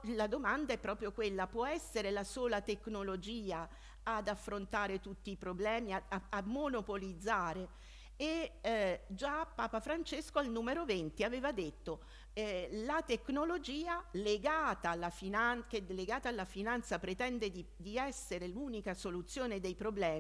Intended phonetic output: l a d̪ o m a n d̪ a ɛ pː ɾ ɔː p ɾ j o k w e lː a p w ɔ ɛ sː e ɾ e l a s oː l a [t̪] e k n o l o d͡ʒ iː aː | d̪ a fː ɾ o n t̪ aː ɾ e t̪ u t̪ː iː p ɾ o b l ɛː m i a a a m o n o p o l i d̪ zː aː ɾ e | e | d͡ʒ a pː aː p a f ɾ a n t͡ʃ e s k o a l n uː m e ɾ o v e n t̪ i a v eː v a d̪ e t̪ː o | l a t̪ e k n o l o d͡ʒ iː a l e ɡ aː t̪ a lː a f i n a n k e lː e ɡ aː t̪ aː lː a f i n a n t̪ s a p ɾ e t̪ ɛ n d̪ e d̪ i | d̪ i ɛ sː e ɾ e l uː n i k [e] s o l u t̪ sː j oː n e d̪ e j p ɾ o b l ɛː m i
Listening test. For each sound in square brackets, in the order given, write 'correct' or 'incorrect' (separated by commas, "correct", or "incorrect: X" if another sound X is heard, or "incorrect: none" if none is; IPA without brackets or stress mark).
correct, incorrect: a